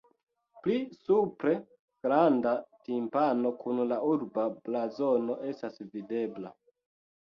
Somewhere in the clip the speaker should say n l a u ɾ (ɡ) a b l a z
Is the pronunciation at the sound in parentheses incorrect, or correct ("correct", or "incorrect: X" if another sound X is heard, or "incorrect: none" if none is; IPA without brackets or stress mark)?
incorrect: b